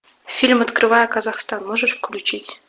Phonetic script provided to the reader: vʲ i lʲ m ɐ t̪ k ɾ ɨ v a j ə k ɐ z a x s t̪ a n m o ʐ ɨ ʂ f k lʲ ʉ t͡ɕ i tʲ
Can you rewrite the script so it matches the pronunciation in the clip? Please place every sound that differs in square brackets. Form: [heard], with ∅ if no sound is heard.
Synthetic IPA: [fʲ] i lʲ m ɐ t̪ k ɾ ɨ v a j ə k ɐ z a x s t̪ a n m o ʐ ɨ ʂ f k lʲ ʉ t͡ɕ i tʲ